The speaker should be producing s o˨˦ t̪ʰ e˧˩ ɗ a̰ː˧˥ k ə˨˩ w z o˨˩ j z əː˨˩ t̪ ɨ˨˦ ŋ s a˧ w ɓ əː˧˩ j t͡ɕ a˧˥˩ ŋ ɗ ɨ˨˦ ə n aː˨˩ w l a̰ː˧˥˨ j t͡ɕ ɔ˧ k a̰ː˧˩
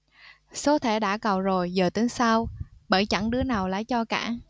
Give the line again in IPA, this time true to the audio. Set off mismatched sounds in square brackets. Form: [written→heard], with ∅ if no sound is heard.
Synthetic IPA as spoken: s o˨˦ t̪ʰ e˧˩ ɗ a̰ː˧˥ k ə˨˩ w z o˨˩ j z əː˨˩ t̪ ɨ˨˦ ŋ s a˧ w ɓ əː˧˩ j t͡ɕ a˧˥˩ ŋ ɗ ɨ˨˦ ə n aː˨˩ w l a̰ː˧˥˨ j t͡ɕ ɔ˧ k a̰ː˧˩